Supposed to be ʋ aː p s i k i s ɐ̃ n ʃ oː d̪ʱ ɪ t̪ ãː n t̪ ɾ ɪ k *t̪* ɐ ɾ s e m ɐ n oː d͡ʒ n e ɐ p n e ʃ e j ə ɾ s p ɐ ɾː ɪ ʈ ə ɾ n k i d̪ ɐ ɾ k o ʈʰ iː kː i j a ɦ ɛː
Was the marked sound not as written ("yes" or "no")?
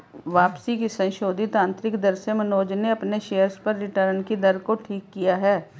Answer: yes